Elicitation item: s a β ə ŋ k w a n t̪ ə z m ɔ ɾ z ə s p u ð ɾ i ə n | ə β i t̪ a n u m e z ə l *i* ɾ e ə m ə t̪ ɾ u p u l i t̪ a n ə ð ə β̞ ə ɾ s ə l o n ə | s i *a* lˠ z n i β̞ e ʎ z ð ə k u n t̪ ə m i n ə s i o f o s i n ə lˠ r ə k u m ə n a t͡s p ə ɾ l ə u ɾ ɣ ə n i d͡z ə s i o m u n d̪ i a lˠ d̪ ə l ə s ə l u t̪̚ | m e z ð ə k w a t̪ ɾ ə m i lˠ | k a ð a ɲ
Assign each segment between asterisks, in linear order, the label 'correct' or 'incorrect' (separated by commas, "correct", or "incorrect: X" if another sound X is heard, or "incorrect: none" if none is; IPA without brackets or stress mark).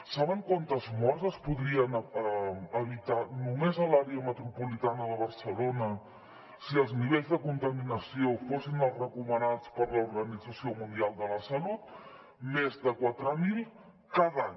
incorrect: a, incorrect: ə